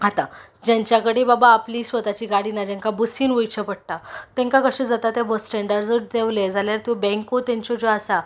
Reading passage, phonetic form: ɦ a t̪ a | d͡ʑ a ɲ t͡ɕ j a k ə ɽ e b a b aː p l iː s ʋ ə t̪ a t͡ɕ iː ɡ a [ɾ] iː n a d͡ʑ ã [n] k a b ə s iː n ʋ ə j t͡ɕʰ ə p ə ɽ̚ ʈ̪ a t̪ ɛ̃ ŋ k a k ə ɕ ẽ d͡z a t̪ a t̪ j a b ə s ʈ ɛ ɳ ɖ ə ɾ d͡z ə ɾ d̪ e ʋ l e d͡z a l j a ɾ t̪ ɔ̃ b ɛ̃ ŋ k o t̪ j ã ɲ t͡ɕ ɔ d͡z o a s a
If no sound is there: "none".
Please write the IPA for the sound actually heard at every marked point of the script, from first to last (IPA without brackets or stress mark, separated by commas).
ɽ, ŋ